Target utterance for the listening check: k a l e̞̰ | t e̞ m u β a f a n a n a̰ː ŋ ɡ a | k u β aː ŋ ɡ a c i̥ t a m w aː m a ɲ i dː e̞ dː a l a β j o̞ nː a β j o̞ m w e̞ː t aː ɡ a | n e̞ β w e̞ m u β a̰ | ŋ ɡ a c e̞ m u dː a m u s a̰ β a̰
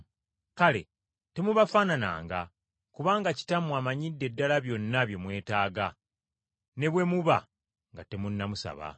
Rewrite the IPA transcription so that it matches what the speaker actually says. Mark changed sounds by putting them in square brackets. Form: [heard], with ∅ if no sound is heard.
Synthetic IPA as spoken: k a l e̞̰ | t e̞ m u β a f a n a n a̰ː ŋ ɡ a | k u β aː ŋ ɡ a c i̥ t a m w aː m a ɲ i dː e̞ dː a l a β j o̞ nː a β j o̞ m w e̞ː t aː ɡ a | n e̞ β w e̞ m u β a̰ | ŋ ɡ a [t] e̞ m u [nː] a m u s a̰ β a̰

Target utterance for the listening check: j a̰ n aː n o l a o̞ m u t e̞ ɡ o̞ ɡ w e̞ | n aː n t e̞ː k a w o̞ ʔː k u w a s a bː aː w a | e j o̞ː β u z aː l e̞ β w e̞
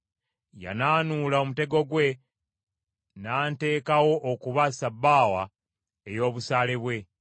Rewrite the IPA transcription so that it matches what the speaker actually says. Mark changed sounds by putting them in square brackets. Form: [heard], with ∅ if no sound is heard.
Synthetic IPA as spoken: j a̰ n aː n [u] l a o̞ m u t e̞ ɡ o̞ ɡ w e̞ | n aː n t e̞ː k a w o̞ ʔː k u [β] a s a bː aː w a | e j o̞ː β u [s] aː l e̞ β w e̞

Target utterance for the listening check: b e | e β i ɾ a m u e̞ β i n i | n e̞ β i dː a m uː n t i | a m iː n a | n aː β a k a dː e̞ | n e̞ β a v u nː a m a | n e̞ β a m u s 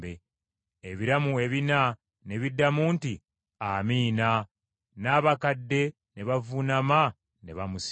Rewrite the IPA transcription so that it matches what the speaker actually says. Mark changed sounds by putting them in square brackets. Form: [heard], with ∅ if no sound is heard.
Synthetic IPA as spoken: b e | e β i ɾ a m u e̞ β i n [a] | n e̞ β i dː a m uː n t i | a m iː n a | n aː β a k a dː e̞ | n e̞ β a v u [n] a m a | n e̞ β a m u s

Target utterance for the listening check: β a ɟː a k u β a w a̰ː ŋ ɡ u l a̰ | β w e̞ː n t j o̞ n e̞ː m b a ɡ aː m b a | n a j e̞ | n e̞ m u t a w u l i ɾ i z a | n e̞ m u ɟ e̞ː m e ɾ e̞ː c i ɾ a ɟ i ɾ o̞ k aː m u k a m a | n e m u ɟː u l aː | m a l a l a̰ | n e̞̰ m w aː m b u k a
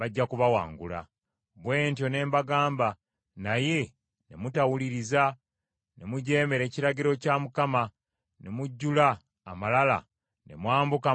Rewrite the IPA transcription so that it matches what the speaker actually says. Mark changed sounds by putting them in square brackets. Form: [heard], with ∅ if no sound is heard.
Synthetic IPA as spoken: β a ɟː a k u β a w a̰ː ŋ ɡ u l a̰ | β w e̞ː n t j o̞ n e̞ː m b a ɡ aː m b a | n a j e̞ | n e̞ m u t a w u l i ɾ i z a | n e̞ m u ɟ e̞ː m e ɾ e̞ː c i ɾ a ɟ i ɾ o̞ [c] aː m u k a m a | n e m u ɟː u l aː | m a l a l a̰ | n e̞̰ m w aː m b u k a

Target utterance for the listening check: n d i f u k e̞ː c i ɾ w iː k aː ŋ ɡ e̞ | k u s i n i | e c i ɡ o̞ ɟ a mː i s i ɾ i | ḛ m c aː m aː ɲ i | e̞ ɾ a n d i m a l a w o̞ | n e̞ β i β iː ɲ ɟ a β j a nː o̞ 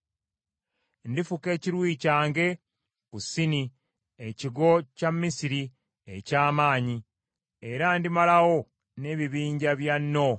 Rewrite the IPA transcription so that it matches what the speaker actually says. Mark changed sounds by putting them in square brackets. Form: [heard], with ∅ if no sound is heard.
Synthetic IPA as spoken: n d i f u k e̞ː c i ɾ w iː [c] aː ŋ ɡ e̞ | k u s i n i | e c i ɡ o̞ [c] a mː i s i ɾ i | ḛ [∅] c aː m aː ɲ i | e̞ ɾ a n d i m a l a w o̞ | n e̞ β i β iː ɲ ɟ a β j a nː o̞

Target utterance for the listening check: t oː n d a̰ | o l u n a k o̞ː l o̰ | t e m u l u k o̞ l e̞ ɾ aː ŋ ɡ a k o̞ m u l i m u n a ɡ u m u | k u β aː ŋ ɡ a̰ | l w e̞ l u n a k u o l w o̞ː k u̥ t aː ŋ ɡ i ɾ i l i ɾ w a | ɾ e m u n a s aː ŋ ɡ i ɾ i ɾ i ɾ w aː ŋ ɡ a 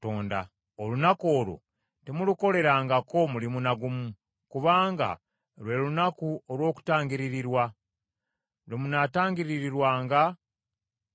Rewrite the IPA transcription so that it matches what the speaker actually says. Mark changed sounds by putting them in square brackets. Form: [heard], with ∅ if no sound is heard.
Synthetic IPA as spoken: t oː n d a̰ | o l u n a k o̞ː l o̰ | t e m u l u k o̞ l e̞ ɾ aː ŋ ɡ a k o̞ m u l i m u n a ɡ u m u | k u β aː ŋ ɡ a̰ | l w e̞ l u n a k u o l w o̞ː k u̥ t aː ŋ ɡ i ɾ i [ɾ] i ɾ w a | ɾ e m u n a [t] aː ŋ ɡ i ɾ i ɾ i ɾ w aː ŋ ɡ a

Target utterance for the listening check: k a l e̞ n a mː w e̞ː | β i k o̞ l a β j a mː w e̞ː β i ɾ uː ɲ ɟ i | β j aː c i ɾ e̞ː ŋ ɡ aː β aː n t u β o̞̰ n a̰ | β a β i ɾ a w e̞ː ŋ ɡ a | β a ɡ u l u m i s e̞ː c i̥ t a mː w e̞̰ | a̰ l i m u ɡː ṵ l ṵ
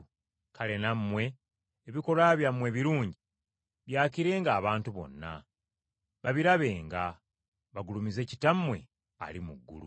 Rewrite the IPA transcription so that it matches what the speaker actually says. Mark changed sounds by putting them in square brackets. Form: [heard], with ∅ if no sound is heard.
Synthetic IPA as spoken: k a l e̞ n a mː w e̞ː | β i k o̞ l a β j a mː w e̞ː β i ɾ uː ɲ ɟ i | β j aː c i ɾ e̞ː ŋ ɡ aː β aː n t u β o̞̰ [nː] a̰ | β a β i ɾ a [β] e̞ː ŋ ɡ a | β a ɡ u l u m i [z] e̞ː c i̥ t a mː w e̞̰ | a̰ l i m u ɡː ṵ l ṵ

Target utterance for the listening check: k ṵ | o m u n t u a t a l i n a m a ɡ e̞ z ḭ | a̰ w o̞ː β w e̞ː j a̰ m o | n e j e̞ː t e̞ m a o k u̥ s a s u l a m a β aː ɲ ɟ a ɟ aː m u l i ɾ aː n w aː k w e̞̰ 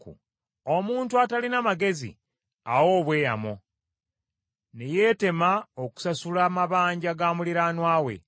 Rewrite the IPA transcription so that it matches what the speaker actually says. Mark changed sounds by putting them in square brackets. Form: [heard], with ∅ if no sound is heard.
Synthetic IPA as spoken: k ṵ | o m [uː] n t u a t a l i n a m a ɡ e̞ z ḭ | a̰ w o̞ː β w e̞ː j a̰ m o | n e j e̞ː t e̞ m a o k u̥ s a s u l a m a β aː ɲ ɟ a [ɡ] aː m u l i ɾ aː n w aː [∅] w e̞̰

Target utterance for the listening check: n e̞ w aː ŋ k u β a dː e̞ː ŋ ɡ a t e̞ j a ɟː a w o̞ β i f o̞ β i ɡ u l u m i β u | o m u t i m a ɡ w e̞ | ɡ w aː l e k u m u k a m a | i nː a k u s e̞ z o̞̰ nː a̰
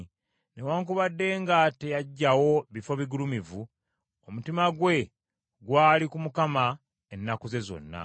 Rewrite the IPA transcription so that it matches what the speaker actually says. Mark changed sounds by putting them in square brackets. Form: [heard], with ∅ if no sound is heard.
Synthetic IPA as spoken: n e̞ w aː ŋ k u β a dː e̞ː ŋ ɡ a t e̞ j a ɟː a w o̞ β i f o̞ β i ɡ u l u m i [v] u | o m u t i m a ɡ w e̞ | ɡ w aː l [i] k u m u k a m a | [e] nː a k u [z] e̞ z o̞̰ nː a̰

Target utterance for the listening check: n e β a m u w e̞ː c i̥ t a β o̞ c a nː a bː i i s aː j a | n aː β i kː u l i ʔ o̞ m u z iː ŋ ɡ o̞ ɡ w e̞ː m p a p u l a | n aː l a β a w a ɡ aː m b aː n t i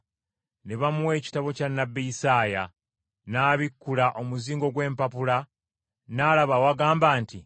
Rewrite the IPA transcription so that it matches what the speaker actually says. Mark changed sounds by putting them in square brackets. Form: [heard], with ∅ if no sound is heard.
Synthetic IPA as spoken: n e β a m u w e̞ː c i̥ t a β o̞ c a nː a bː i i s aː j a | n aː β i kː u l [a] ʔ o̞ m u z iː ŋ ɡ o̞ ɡ w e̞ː m p a p u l a | n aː l a β a w a ɡ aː m b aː n t i

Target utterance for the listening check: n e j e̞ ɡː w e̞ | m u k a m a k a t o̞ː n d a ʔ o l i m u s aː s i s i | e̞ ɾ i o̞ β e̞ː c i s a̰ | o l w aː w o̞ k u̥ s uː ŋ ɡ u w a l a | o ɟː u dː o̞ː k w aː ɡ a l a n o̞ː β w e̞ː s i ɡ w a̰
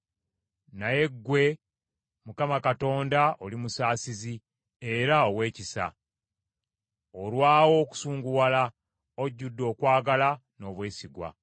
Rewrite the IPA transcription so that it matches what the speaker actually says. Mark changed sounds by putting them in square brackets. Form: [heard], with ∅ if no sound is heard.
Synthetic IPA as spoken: n [a] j e̞ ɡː w e̞ | m u k a m a k a t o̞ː n d a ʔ o l i m u s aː s i [z] i | e̞ ɾ [a] o̞ [w] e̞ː c i s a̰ | o l w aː w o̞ k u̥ s uː ŋ ɡ u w a l a | o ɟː u dː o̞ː k w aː ɡ a l a n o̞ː β w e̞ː s i ɡ w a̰

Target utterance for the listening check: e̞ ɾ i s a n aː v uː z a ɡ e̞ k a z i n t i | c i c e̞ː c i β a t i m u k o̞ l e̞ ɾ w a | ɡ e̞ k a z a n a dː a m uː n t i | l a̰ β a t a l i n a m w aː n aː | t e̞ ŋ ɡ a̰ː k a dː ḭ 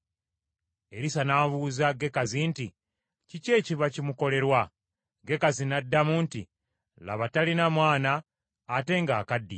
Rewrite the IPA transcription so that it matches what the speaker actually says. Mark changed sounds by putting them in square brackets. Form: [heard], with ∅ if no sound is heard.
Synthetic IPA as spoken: e̞ ɾ i s a n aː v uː z a ɡ e̞ k a z i n t i | c i c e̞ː c i β a [c] i m u k o̞ l e̞ ɾ w a | ɡ e̞ k a z [i] n a dː a m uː n t i | l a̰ β a t a l i n a m w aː n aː | t e̞ ŋ ɡ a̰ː k a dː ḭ

